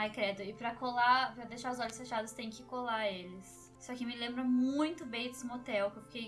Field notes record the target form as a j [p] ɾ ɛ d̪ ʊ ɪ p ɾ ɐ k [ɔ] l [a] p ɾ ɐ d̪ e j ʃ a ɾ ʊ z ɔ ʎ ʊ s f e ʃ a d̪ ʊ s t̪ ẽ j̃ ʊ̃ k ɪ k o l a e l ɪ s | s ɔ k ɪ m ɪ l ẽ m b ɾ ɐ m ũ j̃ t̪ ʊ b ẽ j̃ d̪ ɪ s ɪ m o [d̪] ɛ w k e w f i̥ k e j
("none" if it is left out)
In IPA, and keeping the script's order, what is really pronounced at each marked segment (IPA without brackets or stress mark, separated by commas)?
k, o, a, t̪